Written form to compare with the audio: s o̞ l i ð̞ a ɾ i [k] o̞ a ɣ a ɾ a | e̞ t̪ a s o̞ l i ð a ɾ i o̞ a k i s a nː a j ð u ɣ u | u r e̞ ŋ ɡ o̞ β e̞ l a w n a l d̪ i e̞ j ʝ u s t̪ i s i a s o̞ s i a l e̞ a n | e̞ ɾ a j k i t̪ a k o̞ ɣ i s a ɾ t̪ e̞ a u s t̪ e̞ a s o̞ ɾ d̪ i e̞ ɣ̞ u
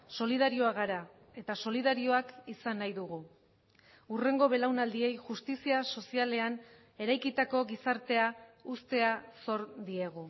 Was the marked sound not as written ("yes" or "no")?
yes